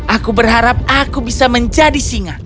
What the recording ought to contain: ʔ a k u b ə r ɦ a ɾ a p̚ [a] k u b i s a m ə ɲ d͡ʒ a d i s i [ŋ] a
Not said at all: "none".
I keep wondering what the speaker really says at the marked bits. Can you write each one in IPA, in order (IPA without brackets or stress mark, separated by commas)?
a, ŋ